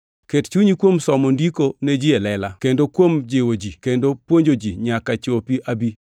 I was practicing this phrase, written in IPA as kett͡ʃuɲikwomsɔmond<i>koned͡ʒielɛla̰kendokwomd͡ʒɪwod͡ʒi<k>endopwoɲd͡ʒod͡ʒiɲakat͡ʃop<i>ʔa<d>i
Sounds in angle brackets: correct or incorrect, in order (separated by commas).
correct, correct, correct, incorrect